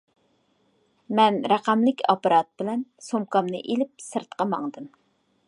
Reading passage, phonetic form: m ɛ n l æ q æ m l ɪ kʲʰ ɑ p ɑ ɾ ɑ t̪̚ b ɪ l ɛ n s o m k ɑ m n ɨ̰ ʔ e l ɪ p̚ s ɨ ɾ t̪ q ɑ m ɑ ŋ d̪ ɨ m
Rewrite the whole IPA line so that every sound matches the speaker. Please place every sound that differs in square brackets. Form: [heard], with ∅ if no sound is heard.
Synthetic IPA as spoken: m ɛ n [ɾ] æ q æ m l ɪ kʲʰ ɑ p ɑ ɾ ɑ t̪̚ b ɪ l ɛ n s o m k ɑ m n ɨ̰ ʔ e l ɪ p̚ s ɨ ɾ t̪ q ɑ m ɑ ŋ d̪ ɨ m